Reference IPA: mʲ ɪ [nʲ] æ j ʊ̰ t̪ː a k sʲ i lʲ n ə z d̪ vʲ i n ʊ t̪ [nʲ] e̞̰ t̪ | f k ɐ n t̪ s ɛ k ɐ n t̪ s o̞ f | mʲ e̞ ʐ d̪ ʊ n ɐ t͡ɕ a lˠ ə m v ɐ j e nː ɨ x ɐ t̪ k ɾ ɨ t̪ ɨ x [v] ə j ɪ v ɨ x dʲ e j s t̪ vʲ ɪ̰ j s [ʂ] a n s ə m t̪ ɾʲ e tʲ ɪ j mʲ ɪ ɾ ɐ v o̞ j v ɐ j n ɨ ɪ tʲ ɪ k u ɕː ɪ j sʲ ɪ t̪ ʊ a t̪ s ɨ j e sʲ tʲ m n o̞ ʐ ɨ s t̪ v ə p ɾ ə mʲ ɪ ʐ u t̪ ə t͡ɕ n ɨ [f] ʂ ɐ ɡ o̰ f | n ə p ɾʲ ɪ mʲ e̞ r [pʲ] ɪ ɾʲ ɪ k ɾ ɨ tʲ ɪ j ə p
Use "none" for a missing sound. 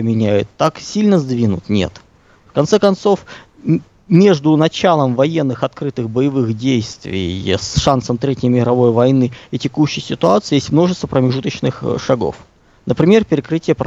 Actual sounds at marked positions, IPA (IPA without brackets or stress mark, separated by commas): nʲ, nʲ, b, ʂ, x, pʲ